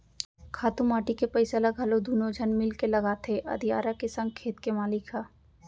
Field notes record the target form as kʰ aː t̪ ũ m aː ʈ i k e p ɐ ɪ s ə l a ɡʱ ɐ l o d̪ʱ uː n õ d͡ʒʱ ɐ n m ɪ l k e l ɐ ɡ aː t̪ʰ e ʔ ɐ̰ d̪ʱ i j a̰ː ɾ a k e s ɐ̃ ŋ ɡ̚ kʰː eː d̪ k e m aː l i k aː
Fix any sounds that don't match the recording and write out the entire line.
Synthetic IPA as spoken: kʰ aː t̪ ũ m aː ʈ i k e p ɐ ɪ s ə l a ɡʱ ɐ l o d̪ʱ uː n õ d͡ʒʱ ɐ n m ɪ l k e l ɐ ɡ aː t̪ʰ e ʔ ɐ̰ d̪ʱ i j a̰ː ɾ a k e s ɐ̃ ŋ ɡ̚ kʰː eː t̪ k e m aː l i k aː

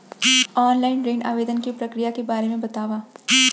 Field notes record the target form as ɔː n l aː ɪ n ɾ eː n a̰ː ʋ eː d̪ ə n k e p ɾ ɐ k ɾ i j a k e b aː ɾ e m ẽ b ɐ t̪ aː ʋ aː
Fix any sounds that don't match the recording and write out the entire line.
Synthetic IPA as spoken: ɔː n l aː ɪ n ɾ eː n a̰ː ʋ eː d̪ ə n k i p ɾ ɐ k ɾ i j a k e b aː ɾ e m ẽ b ɐ t̪ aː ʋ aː

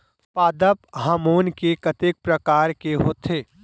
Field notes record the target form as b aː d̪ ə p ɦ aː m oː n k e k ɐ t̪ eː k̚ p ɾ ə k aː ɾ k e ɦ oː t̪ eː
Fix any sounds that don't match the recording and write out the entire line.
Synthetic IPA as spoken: p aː d̪ ə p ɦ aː m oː n k e k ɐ t̪ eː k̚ p ɾ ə k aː ɾ k e ɦ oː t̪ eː

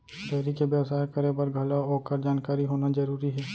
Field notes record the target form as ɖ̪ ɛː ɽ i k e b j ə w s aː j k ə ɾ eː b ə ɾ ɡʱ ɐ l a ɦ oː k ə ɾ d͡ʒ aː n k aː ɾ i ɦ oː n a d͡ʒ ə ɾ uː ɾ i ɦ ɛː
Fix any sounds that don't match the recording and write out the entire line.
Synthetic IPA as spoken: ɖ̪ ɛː ɾ i k e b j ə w s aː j k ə ɾ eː b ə ɾ ɡʱ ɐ l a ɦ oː k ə ɾ d͡ʒ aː n k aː ɾ i ɦ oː n a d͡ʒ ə ɾ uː ɾ i ɦ ɛː

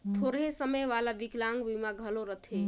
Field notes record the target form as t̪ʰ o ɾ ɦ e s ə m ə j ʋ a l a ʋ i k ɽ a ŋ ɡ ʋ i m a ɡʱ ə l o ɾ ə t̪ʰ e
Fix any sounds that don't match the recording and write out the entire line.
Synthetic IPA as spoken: t̪ʰ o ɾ ɦ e s ə m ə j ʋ a l a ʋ i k l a ŋ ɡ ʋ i m a ɡʱ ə l o ɾ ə t̪ʰ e

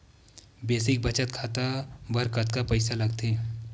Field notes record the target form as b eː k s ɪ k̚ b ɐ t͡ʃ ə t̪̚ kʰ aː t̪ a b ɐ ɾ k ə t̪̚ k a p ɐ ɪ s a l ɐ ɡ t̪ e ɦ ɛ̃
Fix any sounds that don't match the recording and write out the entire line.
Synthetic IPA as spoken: b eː s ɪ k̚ b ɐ t͡ʃ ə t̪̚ kʰ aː t̪ a b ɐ ɾ k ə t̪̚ k a p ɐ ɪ s a l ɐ ɡ t̪ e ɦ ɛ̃

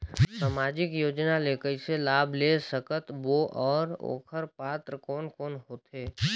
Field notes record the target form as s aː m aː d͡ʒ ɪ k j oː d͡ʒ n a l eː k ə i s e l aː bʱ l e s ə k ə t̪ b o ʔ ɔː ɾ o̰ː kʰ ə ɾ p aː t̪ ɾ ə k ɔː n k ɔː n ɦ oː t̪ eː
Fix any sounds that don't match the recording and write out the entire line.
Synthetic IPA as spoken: s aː m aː d͡ʒ ɪ k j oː d͡ʒ n a l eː k ə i s e l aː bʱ l e s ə k ə t̪ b o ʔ ɔː ɾ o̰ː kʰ ə ɾ p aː t̪ ɾ ə k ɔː n k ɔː n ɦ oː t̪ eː

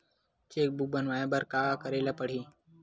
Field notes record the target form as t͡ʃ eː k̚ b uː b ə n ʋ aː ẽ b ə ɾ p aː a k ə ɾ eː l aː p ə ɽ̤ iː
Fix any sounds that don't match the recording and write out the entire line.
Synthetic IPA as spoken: t͡ʃ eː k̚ b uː b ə n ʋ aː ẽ b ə ɾ k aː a k ə ɾ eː l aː p ə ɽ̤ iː

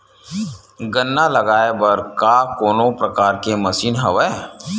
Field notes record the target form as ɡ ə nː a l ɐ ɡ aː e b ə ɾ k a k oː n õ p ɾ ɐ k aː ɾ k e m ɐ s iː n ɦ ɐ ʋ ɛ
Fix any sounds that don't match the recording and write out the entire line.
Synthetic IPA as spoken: ɡ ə nː a l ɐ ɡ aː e b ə ɾ k a k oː n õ p ɾ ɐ k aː ɾ k e m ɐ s iː n ɦ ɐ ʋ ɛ

